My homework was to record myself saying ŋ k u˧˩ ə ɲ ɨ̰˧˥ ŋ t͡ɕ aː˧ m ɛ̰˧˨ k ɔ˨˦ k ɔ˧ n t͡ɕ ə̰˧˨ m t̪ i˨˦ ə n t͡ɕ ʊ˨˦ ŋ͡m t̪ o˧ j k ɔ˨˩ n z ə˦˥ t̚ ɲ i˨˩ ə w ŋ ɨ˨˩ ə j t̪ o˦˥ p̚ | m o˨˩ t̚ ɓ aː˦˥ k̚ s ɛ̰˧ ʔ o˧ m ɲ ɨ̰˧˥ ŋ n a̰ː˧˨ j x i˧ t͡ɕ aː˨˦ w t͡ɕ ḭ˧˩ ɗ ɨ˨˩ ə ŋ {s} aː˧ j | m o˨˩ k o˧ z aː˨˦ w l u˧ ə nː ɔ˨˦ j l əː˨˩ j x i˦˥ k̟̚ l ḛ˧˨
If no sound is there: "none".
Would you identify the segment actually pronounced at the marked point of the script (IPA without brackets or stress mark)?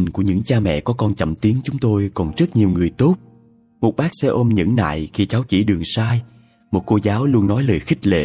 s